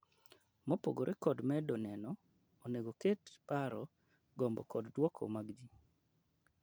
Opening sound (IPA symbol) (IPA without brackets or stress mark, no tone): m